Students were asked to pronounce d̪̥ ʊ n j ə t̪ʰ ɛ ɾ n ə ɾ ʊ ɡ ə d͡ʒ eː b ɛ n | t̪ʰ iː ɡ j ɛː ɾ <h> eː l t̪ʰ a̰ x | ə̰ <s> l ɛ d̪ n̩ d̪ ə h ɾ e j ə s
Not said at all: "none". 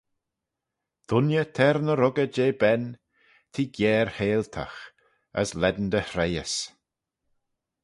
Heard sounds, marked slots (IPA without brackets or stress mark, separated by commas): h, s